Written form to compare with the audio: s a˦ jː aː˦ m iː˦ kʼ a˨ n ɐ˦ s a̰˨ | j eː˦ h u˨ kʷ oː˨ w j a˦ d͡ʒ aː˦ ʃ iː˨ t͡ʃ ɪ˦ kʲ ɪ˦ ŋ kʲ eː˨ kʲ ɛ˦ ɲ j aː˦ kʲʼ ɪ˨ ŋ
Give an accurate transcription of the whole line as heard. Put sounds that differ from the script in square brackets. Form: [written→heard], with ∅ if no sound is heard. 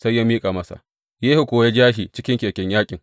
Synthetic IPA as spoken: s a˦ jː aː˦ m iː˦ kʼ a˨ [n→m] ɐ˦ s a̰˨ | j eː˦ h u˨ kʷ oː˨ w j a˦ d͡ʒ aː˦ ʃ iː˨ t͡ʃ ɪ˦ kʲ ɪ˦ ŋ kʲ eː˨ kʲ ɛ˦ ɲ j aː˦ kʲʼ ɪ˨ ŋ